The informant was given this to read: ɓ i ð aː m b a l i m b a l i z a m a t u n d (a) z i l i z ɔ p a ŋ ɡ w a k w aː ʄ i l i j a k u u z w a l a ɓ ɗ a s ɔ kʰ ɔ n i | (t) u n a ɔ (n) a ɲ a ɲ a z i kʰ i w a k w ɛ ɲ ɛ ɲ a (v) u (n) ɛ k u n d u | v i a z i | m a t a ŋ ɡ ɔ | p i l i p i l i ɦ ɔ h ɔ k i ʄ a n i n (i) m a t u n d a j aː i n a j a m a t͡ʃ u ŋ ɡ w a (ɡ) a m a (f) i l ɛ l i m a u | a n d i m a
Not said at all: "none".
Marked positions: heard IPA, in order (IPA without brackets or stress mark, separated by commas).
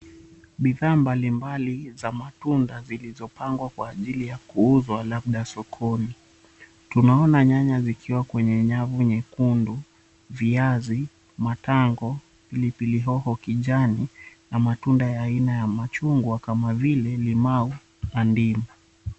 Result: a, t, n, v, ɲ, a, k, v